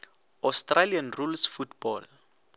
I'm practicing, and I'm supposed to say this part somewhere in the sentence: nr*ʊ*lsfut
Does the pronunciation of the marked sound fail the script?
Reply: yes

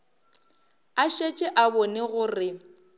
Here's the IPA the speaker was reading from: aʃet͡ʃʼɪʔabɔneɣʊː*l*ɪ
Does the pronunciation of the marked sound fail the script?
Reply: yes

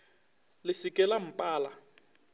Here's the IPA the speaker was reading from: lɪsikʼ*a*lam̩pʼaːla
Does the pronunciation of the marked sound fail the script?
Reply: yes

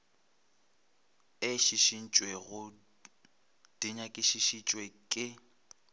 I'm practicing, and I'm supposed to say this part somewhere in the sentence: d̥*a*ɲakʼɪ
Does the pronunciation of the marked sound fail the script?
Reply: yes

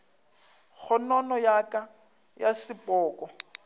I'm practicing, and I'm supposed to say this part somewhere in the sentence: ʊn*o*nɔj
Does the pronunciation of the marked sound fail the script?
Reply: yes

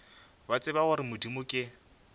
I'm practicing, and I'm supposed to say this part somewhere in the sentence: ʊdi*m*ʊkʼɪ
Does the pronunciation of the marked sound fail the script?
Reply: no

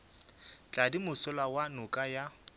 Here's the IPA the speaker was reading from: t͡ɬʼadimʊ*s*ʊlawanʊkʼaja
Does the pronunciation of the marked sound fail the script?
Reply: no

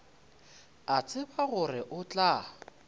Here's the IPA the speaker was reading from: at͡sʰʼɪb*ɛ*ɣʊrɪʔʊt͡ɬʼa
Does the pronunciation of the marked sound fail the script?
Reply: yes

